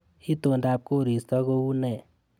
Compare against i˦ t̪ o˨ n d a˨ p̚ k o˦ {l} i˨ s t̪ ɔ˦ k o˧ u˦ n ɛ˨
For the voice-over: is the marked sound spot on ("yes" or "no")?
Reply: no